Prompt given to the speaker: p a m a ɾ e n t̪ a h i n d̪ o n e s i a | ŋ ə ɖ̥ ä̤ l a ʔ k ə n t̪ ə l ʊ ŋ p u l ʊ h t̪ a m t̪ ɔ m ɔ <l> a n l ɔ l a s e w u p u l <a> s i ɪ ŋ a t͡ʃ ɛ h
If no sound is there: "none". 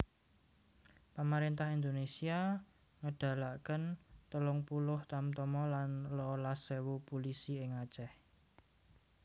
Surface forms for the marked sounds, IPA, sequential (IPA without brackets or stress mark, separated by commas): l, i